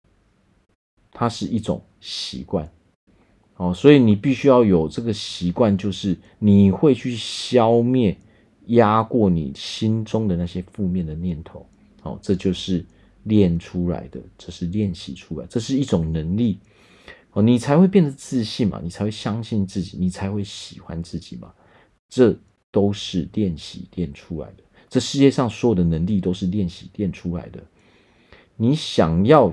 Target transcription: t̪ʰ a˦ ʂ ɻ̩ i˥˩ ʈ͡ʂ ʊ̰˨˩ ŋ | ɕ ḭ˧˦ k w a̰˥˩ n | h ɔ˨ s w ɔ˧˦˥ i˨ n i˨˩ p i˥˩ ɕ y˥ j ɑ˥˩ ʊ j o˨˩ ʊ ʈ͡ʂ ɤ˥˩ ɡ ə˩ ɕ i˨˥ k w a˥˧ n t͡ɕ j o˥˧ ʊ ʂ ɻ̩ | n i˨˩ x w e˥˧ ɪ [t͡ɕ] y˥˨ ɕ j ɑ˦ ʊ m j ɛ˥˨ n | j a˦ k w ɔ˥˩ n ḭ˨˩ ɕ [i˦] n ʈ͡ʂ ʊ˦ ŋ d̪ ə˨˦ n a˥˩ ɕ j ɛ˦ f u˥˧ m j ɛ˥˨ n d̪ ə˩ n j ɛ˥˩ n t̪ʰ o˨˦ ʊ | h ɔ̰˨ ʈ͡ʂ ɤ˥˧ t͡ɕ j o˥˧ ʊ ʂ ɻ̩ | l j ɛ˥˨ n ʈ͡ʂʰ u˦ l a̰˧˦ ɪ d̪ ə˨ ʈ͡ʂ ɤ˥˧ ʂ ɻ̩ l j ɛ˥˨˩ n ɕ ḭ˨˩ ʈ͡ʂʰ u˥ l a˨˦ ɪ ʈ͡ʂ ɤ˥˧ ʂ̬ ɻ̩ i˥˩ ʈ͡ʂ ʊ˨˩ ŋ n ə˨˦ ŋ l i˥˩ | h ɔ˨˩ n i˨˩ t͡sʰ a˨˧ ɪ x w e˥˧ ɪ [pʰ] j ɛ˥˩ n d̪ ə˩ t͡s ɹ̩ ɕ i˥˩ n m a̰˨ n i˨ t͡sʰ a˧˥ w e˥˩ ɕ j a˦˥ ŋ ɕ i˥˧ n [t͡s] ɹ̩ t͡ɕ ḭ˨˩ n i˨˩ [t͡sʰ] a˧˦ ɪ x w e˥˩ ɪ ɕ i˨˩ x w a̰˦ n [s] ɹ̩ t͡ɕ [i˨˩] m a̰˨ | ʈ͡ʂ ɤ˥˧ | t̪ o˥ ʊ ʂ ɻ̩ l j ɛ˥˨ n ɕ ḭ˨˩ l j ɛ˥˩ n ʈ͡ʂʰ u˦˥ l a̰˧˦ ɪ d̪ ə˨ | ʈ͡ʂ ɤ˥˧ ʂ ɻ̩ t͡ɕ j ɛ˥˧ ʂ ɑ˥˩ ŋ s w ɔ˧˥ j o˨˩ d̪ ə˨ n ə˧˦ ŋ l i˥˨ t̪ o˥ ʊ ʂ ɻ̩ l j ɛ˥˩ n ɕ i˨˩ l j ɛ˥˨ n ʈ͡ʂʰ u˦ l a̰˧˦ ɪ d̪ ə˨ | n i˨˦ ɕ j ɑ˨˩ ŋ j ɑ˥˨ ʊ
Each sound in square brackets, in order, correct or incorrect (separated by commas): incorrect, correct, incorrect, correct, correct, incorrect, correct